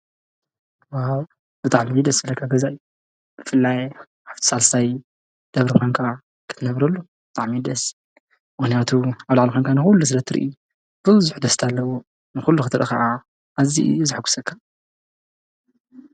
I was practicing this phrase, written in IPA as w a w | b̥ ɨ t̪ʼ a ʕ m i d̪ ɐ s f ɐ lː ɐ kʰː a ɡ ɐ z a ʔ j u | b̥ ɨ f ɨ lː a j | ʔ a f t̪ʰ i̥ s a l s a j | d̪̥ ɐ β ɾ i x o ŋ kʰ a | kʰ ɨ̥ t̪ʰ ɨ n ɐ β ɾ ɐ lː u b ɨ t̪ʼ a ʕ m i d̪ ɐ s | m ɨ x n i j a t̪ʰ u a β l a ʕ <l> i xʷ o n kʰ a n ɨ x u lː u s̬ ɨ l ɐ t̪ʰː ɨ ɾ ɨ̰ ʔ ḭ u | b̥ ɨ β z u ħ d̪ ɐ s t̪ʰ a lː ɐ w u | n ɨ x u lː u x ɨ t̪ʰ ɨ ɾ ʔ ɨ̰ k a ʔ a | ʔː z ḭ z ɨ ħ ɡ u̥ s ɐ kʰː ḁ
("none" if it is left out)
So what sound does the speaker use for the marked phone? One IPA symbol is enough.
l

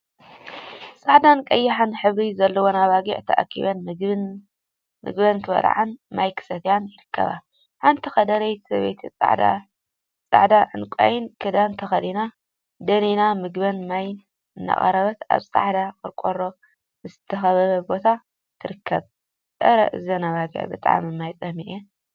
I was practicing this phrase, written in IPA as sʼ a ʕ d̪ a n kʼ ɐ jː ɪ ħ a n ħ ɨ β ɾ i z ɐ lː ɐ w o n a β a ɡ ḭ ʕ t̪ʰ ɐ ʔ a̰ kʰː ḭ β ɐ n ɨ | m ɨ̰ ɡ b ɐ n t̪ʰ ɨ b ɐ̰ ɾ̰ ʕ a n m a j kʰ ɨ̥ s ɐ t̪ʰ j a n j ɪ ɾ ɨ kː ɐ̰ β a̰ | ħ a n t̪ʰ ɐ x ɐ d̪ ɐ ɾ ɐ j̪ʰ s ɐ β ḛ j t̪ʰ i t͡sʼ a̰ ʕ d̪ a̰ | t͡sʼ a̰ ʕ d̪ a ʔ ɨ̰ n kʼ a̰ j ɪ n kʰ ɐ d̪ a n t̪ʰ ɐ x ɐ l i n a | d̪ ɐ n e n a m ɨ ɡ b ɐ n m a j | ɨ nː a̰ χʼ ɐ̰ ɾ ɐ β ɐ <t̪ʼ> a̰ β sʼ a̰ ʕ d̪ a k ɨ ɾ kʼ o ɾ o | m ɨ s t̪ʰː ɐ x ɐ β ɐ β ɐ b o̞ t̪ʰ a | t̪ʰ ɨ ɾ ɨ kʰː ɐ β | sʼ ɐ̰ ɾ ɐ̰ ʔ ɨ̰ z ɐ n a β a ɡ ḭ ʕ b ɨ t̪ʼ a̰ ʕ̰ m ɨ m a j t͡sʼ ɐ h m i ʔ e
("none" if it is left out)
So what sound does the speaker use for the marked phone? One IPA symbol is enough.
t̪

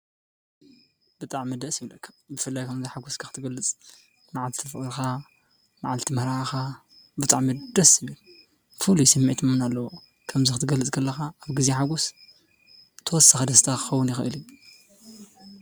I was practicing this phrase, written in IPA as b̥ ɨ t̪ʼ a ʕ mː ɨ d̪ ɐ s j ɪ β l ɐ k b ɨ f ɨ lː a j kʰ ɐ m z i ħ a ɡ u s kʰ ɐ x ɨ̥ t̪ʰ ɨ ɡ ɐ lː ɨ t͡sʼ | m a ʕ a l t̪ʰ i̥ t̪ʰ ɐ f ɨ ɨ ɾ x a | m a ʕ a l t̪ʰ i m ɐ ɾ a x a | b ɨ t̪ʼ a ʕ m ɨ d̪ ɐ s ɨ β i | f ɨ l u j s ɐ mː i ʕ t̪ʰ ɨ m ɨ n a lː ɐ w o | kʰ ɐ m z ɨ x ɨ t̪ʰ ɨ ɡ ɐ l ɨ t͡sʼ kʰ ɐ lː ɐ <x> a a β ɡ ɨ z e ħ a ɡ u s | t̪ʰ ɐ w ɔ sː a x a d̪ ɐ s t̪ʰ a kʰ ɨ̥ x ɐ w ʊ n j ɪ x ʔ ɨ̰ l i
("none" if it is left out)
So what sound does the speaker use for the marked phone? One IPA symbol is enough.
x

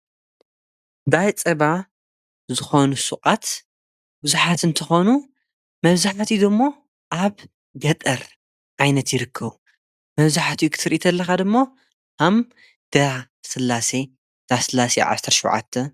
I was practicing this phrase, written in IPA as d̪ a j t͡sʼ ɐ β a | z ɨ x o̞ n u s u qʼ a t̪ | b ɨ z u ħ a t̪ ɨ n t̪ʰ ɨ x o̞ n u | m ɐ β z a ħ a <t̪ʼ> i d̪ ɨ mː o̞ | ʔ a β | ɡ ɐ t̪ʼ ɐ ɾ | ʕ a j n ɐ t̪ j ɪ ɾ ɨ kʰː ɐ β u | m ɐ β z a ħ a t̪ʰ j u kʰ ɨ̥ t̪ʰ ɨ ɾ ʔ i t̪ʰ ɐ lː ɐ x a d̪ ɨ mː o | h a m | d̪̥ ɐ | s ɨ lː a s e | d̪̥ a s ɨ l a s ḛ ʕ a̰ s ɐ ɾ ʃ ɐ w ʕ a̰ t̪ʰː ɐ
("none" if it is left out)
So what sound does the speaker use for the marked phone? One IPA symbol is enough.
t̪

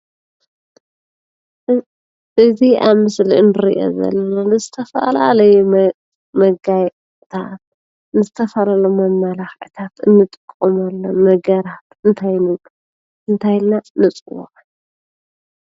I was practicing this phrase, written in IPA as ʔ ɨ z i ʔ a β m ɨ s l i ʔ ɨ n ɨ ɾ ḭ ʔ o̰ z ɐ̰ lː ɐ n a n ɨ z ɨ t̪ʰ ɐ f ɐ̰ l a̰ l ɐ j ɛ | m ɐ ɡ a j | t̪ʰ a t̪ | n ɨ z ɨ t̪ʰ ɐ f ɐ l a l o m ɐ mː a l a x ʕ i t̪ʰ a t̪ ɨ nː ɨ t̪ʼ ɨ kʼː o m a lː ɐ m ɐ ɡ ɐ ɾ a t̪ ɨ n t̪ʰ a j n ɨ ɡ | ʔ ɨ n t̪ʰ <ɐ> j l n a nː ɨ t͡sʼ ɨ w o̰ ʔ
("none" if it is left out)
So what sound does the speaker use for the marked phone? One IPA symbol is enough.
a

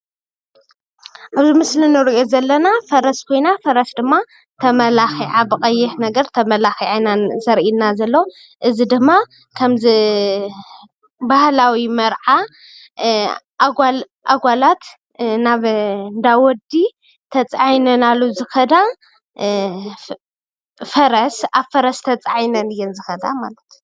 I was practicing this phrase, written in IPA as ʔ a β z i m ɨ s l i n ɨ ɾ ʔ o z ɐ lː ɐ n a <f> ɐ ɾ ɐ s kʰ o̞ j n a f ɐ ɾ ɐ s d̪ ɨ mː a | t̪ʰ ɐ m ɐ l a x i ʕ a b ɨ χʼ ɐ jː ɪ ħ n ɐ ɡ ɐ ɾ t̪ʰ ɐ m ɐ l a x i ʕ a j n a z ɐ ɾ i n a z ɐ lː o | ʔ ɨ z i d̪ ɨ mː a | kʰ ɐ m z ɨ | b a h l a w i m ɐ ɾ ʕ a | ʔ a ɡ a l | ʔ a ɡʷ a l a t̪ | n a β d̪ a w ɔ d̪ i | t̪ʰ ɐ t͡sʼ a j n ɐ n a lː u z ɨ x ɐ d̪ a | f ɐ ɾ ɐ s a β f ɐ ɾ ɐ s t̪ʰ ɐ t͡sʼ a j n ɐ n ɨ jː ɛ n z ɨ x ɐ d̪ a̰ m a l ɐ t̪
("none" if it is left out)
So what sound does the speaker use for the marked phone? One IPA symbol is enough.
f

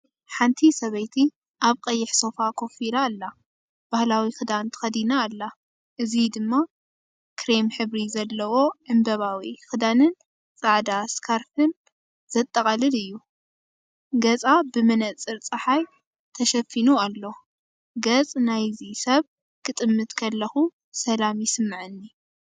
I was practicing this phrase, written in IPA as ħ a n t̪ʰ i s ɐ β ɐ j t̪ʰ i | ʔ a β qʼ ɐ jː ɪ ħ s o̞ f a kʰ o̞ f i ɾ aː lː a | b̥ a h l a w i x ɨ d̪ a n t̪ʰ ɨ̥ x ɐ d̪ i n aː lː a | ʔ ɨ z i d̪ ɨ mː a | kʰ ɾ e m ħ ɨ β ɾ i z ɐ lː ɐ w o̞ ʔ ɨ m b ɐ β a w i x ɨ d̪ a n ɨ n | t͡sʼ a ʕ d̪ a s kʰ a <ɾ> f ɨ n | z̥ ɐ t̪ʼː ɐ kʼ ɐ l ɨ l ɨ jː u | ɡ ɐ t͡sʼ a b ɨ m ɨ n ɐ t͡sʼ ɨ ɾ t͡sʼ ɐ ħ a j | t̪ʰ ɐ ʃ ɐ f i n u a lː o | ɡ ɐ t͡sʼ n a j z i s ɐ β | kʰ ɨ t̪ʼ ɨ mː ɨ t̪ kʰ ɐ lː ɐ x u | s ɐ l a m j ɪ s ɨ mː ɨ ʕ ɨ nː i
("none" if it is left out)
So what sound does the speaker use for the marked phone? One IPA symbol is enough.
ɾ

